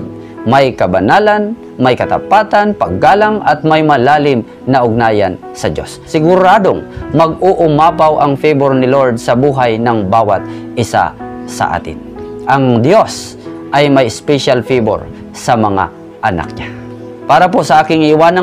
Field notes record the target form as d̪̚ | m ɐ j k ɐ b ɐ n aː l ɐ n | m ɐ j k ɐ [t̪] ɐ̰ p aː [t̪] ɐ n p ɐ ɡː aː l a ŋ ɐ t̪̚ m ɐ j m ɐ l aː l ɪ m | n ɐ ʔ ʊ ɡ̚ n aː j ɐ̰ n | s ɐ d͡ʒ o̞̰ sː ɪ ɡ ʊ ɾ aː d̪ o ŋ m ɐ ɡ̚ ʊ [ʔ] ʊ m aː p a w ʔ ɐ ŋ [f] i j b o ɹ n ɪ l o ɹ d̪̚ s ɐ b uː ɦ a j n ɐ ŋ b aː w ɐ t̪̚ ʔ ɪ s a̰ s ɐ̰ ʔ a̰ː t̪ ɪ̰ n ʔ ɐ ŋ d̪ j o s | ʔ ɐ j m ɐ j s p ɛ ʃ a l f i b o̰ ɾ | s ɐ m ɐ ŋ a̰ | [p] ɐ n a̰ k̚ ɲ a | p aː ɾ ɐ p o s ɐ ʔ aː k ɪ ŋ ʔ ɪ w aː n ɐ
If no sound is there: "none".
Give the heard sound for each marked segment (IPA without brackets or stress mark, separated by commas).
t̪, t̪, ʔ, f, ʔ